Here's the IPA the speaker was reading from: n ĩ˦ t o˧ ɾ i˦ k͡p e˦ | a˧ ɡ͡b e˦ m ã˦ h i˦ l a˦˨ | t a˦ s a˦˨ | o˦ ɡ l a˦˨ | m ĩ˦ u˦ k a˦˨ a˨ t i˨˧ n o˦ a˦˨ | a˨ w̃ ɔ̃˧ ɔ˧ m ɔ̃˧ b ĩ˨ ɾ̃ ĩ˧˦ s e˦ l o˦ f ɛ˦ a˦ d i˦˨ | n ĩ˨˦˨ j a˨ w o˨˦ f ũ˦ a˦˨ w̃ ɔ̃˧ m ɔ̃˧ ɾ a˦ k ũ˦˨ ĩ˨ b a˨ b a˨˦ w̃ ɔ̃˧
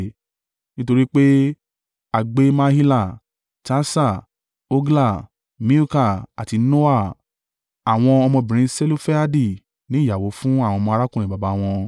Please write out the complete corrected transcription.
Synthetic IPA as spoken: n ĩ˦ t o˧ ɾ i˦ k͡p e˦ | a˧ ɡ͡b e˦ m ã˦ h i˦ l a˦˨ | t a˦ s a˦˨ | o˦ ɡ l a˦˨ | m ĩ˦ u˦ k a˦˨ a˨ t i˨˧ n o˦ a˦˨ | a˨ w̃ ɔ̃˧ ɔ˧ m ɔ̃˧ b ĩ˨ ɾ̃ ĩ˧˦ s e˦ l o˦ f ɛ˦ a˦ d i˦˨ | n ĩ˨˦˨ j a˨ w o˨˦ f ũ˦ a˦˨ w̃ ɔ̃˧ m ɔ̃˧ ɾ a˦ k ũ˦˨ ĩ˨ b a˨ b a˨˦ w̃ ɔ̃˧